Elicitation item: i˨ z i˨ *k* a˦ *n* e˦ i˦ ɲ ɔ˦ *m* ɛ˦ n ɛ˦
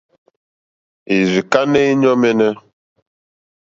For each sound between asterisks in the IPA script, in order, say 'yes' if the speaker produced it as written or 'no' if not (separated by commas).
yes, yes, yes